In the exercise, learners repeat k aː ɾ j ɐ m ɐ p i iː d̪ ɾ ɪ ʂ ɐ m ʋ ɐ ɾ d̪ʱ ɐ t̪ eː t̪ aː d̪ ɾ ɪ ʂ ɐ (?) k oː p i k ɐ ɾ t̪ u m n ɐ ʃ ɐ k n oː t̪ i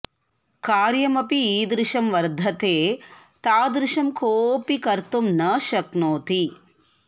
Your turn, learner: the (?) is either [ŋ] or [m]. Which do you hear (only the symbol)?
m